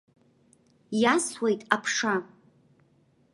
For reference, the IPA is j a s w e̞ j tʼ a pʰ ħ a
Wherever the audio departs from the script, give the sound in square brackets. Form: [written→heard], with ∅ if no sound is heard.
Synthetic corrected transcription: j a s w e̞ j tʼ a pʰ [ħ→ʂ] a

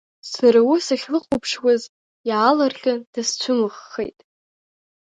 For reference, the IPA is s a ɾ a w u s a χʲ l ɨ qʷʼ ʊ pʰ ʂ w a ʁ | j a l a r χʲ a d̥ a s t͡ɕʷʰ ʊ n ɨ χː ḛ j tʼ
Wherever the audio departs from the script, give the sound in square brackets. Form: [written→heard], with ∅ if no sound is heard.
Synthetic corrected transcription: s a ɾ a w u s a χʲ l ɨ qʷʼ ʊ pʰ ʂ w a [ʁ→z] | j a l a r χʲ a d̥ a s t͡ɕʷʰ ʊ [n→m] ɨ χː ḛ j tʼ

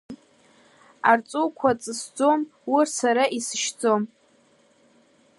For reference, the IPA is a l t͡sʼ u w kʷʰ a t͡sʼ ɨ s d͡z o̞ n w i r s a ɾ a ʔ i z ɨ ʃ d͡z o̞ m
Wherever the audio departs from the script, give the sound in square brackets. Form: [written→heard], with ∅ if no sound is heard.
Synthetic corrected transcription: a [l→r] t͡sʼ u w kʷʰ a t͡sʼ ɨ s d͡z o̞ [n→m] w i r s a ɾ a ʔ i [z→s] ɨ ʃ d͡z o̞ m

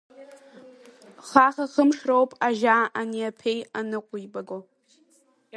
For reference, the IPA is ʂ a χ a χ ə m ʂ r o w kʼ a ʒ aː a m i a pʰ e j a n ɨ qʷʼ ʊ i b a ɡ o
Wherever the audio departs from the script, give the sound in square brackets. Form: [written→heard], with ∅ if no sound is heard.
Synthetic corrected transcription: [ʂ→χ] a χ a χ ə m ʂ r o w [kʼ→pʼ] a ʒ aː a [m→n] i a pʰ e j a n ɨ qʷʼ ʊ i b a ɡ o

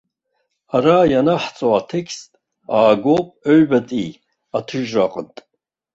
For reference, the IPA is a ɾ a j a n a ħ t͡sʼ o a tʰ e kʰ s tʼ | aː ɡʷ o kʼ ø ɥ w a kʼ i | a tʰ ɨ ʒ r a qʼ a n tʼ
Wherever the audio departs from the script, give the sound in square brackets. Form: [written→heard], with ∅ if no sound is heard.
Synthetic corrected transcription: a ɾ a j a n a ħ t͡sʼ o a tʰ e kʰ s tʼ | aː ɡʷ o [kʼ→pʼ] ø ɥ [w→b] a [kʼ→tʼ] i | a tʰ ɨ ʒ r a qʼ [a→ə] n tʼ

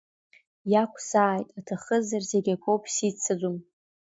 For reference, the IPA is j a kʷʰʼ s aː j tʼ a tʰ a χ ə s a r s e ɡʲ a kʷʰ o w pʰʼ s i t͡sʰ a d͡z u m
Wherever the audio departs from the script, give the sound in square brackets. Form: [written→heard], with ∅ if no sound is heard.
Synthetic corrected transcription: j a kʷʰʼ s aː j tʼ a tʰ a χ ə [s→z] a r [s→z] e ɡʲ a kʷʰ o w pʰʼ s i t͡sʰ a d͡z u m

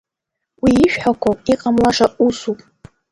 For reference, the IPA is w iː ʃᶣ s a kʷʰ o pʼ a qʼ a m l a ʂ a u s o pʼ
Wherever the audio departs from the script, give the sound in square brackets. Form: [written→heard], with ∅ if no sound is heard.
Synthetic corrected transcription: w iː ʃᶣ [s→ħ] a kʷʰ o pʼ [a→i] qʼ a m l a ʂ a u s [o→u] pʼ

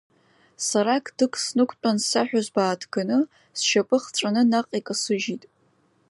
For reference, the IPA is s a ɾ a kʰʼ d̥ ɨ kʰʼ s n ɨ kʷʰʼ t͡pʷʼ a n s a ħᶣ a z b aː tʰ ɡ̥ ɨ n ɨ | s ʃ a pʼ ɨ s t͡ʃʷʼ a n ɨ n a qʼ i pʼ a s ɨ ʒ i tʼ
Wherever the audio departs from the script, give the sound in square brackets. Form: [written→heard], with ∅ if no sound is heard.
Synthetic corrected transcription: s a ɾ a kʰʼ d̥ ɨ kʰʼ s n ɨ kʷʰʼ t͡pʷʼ a n s a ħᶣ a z b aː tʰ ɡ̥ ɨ n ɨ | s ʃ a pʼ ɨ [s→χ] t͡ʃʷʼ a n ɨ n a qʼ i [pʼ→kʼ] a s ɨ ʒ i tʼ

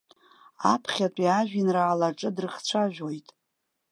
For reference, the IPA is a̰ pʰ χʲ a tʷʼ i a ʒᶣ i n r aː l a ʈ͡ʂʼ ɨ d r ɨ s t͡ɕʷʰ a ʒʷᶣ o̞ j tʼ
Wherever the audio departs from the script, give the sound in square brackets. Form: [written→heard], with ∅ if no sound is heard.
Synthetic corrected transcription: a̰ pʰ χʲ a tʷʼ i a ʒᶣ i n r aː l a ʈ͡ʂʼ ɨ d r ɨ [s→χ] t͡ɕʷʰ a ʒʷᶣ o̞ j tʼ

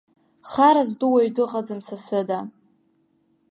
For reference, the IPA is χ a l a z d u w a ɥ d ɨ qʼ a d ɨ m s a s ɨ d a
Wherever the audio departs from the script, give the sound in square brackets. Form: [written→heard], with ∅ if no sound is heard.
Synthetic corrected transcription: χ a [l→ɾ] a z d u w a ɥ d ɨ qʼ a [d→d͡z] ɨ m s a s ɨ d a

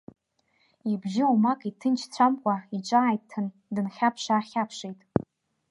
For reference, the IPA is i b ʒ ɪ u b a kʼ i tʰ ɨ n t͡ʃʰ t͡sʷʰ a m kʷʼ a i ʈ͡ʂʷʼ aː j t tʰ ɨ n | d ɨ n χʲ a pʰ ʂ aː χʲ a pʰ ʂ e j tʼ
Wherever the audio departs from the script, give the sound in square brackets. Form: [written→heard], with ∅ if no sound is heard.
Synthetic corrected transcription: i b ʒ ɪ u [b→m] a kʼ i tʰ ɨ n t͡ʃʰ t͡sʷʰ a m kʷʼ a i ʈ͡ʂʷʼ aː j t tʰ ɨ n | d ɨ n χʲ a pʰ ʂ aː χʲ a pʰ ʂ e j tʼ

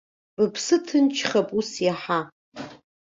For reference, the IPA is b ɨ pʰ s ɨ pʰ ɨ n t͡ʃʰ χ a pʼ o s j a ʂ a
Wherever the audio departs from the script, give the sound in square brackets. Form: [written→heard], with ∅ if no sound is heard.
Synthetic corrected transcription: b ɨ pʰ s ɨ [pʰ→tʰ] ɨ n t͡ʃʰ χ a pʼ [o→u] s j a [ʂ→ħ] a

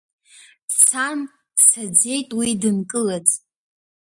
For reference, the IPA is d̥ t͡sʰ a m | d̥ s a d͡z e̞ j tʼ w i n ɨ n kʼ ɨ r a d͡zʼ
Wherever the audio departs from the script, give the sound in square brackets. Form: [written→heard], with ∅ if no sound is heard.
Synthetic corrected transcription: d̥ t͡sʰ a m | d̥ s a d͡z e̞ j tʼ w i [n→d] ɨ n kʼ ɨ [r→l] a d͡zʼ

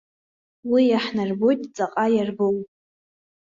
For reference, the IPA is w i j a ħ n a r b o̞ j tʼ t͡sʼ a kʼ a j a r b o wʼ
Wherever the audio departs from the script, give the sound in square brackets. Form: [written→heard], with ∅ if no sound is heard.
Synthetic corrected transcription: w i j a ħ n a r b o̞ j tʼ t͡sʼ a [kʼ→qʼ] a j a r b o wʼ

